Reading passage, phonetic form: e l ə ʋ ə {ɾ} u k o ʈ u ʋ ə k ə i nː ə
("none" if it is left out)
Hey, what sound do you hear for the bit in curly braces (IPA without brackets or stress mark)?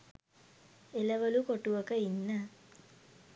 l